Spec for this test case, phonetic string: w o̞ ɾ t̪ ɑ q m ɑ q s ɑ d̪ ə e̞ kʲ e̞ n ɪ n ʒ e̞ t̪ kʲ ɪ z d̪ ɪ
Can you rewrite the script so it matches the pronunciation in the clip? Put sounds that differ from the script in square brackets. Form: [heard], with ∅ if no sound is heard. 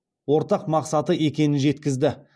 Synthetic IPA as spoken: w o̞ ɾ t̪ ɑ q m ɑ q s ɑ [t̪] ə e̞ kʲ e̞ n ɪ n ʒ e̞ t̪ kʲ ɪ z d̪ ɪ